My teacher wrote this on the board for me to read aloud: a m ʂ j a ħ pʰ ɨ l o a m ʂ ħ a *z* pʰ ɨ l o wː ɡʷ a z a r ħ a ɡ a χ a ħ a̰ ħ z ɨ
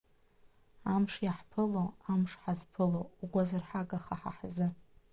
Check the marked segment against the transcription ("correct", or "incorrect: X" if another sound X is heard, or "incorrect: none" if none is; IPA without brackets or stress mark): correct